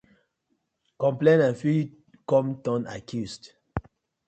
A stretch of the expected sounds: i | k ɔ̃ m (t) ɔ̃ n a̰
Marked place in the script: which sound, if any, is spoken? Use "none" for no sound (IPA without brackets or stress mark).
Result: t